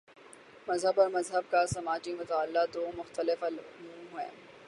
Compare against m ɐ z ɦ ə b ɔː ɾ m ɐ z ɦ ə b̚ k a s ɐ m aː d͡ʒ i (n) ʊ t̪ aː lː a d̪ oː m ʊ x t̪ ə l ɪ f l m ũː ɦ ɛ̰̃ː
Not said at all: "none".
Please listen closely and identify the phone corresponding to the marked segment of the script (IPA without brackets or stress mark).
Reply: m